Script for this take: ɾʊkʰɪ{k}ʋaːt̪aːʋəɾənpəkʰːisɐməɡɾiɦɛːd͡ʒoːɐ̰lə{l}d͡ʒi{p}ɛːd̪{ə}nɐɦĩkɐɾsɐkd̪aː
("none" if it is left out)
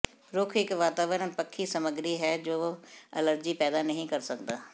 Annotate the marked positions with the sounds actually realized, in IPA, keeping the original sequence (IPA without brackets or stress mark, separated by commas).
k, ɾ, p, a